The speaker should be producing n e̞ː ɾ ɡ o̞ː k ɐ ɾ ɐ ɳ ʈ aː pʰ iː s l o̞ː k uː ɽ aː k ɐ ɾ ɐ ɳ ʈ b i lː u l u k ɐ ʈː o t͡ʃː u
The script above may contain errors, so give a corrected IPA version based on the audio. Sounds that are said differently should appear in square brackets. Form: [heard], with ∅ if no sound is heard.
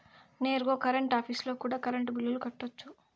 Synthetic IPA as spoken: n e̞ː ɾ ɡ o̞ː k ɐ ɾ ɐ ɳ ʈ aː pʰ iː s l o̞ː k uː ɽ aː k ɐ ɾ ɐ ɳ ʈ b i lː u l u k ɐ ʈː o t͡ʃː u